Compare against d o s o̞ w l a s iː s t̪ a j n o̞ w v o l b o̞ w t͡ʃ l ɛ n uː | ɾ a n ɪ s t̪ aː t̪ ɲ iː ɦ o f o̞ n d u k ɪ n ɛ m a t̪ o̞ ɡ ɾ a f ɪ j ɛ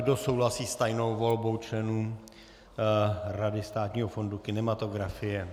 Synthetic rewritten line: d o s o̞ w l a s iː s t̪ a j n o̞ w v o l b o̞ w t͡ʃ l ɛ n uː | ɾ a d ɪ s t̪ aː t̪ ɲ iː ɦ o f o̞ n d u k ɪ n ɛ m a t̪ o̞ ɡ ɾ a f ɪ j ɛ